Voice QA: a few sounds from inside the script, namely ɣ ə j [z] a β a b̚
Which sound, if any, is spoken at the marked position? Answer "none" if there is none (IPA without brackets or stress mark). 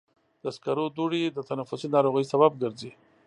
s